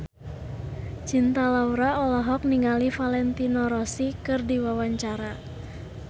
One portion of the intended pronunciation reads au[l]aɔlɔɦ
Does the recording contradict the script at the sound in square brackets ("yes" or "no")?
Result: yes